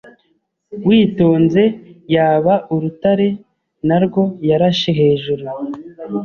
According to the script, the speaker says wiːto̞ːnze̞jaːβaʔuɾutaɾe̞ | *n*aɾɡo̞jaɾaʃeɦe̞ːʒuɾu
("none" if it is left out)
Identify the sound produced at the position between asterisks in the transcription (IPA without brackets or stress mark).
n